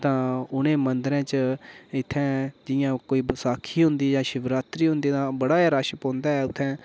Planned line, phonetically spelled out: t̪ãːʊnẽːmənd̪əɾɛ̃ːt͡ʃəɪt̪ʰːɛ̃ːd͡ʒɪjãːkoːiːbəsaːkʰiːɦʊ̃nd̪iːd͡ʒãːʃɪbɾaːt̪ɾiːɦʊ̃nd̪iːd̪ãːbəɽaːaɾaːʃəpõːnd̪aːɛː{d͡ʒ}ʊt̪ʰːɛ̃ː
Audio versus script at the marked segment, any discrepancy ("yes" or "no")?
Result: yes